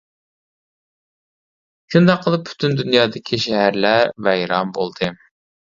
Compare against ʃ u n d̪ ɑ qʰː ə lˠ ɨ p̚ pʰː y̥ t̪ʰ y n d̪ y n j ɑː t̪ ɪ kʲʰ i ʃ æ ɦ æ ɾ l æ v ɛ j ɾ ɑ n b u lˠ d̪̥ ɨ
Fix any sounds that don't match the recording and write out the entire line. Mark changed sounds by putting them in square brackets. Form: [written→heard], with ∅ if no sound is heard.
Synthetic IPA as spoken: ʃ u n d̪ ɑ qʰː ə lˠ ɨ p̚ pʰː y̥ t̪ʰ y n d̪ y n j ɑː [t̪→d̪] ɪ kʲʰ i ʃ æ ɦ æ ɾ l æ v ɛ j ɾ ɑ [n→m] b [u→o] lˠ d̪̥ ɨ